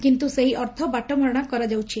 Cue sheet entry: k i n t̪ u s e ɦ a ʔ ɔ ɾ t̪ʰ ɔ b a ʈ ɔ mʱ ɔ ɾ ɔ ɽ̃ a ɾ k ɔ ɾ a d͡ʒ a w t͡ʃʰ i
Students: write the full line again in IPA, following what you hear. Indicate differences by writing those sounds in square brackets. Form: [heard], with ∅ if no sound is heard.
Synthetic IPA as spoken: k i n t̪ u s e ɦ [i] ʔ ɔ ɾ t̪ʰ ɔ b a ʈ ɔ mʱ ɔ ɾ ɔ ɽ̃ a [∅] k ɔ ɾ a d͡ʒ a w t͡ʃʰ i